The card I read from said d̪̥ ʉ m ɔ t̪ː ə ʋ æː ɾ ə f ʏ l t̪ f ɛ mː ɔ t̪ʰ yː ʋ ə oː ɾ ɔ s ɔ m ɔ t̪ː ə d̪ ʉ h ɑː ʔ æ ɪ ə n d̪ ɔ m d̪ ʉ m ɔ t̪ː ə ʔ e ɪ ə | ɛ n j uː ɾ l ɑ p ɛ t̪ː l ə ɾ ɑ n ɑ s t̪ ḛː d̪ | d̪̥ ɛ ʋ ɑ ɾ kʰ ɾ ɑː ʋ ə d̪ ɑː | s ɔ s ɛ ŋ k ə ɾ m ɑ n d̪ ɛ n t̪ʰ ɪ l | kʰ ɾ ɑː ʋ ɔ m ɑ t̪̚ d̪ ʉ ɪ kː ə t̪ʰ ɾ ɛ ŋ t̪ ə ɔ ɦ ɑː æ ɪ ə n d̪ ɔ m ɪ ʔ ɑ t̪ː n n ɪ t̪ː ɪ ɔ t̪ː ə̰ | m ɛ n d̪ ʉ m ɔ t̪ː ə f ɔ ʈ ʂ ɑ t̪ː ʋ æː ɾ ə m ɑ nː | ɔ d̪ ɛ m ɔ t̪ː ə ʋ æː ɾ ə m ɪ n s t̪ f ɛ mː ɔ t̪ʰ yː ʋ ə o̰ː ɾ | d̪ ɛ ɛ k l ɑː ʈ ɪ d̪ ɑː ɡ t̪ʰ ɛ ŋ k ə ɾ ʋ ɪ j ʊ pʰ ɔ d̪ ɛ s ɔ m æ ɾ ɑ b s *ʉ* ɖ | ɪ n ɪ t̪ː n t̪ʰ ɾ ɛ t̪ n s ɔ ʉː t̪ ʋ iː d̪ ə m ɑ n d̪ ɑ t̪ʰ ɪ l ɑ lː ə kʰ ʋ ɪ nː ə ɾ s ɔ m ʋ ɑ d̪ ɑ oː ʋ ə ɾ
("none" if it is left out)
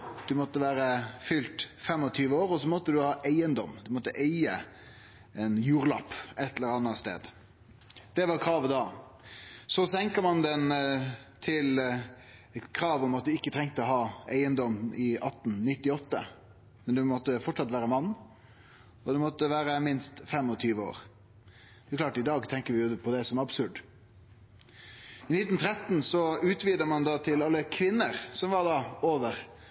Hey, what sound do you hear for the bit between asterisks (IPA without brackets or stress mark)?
ʉ